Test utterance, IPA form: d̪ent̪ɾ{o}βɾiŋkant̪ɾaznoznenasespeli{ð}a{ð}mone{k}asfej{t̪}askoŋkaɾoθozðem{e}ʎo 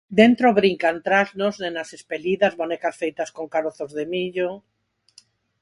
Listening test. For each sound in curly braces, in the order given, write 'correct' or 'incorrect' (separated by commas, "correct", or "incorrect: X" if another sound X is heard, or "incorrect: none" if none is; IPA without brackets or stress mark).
correct, correct, incorrect: z, correct, correct, incorrect: i